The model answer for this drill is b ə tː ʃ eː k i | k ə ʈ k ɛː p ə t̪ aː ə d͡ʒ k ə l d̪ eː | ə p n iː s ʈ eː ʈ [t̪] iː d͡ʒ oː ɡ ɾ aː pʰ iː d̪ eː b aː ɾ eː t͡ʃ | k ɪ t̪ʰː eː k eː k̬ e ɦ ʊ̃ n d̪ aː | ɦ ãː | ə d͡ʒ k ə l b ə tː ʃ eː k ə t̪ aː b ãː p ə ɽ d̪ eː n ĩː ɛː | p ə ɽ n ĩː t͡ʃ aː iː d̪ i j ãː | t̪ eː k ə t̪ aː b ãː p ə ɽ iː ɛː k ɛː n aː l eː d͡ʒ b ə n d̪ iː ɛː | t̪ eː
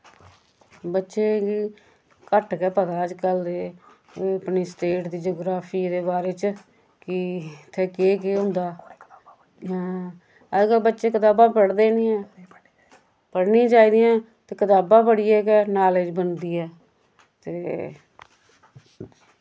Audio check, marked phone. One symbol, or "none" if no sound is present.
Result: d̪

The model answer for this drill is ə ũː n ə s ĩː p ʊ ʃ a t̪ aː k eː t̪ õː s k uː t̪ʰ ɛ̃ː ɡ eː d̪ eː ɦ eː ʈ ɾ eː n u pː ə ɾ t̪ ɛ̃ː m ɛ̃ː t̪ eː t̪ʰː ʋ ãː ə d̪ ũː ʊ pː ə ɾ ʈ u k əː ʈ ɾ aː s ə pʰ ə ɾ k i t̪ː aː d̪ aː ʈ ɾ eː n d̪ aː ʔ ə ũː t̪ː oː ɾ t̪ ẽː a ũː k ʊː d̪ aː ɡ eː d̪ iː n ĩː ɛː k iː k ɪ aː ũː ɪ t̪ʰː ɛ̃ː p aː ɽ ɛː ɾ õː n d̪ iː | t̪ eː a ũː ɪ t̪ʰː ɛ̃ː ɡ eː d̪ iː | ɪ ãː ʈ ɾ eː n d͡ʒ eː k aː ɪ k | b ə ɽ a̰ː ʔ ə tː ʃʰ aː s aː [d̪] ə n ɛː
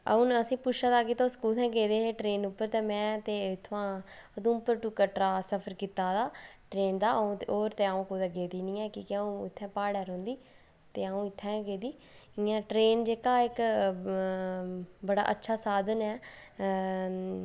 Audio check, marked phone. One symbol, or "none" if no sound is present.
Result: d̪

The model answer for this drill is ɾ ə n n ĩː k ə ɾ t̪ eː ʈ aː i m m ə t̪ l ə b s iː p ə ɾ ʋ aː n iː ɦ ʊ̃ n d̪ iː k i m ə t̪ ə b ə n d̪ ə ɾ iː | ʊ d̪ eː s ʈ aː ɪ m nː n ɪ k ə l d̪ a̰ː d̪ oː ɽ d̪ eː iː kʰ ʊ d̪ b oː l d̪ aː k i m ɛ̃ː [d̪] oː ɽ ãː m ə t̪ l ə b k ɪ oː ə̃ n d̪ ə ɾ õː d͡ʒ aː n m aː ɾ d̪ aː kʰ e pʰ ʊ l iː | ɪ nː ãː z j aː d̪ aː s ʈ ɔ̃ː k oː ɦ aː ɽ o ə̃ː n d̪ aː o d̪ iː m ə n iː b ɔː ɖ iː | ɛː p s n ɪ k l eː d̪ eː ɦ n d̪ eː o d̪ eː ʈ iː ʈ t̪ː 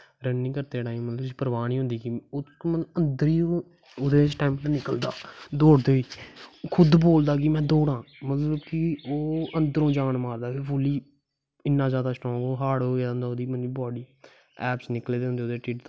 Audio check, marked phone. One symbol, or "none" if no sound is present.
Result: d̪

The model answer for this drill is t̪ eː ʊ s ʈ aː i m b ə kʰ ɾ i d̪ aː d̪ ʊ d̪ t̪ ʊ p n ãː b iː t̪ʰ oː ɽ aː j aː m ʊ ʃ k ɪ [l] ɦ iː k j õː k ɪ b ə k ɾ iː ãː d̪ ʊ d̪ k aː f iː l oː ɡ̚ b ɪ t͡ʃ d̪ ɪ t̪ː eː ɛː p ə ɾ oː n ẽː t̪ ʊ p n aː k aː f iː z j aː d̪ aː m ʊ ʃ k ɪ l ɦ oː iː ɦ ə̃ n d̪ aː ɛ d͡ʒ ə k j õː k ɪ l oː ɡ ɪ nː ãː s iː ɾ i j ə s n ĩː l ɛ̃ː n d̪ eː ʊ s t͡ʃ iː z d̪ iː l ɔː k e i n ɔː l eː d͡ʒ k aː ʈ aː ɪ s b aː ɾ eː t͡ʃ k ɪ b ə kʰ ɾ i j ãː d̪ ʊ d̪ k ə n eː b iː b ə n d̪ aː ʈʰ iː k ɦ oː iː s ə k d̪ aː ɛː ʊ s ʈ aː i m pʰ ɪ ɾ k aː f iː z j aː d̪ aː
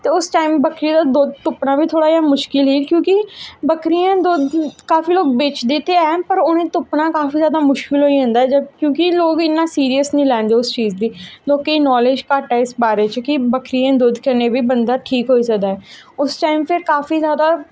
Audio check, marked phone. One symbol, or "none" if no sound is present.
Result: l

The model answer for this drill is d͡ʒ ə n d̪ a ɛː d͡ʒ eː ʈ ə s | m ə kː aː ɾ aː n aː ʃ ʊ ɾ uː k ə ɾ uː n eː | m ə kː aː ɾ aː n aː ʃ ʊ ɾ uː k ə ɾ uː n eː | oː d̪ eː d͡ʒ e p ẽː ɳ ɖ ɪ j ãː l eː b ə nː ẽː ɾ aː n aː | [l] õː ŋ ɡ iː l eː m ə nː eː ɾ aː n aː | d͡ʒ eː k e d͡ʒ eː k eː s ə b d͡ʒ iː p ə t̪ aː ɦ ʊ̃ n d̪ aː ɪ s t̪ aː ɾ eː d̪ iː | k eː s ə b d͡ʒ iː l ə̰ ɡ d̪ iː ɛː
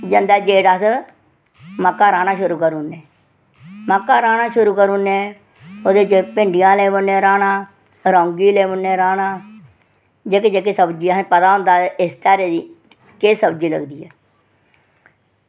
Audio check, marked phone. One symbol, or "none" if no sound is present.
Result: ɾ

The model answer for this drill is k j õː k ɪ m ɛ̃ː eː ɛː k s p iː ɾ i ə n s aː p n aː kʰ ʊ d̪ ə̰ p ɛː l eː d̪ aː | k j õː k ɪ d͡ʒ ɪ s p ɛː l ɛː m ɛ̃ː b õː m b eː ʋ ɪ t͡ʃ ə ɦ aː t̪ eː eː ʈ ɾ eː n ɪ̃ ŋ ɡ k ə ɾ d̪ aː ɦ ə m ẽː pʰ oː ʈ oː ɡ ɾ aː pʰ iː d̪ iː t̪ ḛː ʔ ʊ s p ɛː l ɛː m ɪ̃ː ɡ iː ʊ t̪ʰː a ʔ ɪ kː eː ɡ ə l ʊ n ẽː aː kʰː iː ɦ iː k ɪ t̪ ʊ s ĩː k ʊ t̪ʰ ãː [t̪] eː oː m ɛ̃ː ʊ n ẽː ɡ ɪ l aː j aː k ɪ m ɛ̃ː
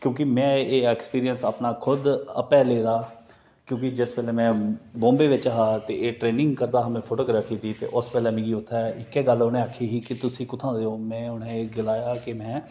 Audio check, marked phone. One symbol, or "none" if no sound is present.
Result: d̪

